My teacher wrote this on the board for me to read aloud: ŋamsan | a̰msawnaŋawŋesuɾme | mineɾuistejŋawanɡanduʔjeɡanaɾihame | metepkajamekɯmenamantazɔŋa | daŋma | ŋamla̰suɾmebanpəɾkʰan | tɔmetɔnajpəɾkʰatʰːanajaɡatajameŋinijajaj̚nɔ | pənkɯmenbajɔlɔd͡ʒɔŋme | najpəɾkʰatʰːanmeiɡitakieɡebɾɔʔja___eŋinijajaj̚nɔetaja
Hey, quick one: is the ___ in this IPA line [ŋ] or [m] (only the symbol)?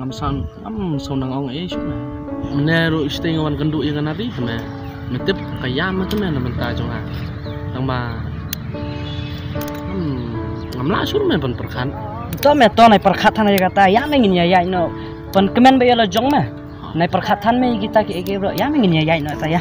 m